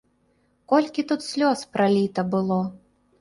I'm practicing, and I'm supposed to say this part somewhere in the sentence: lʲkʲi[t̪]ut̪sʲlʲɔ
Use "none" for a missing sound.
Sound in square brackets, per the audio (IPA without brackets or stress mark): t̪